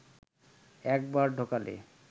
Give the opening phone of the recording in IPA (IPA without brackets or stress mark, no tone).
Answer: ɛ